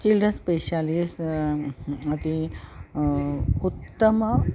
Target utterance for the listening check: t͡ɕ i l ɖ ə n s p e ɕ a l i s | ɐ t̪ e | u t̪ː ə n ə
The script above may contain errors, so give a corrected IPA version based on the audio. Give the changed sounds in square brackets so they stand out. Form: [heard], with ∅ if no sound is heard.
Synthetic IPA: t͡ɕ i l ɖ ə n s p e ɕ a l i s | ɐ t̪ [i] | u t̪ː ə [m] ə